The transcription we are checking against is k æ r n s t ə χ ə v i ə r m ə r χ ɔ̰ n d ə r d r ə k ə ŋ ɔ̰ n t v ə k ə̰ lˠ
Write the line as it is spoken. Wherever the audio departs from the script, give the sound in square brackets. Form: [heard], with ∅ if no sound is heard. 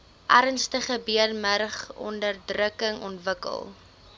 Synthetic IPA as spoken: [ʔ] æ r n s t ə χ ə [b] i ə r m ə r χ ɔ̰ n d ə r d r ə k ə ŋ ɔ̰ n t v ə k ə̰ lˠ